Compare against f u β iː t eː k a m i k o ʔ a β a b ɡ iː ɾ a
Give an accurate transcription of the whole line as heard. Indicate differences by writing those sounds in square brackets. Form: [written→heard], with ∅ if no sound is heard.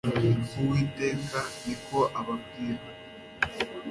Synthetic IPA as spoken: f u [β→w] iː t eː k a [m→n] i k o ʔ a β a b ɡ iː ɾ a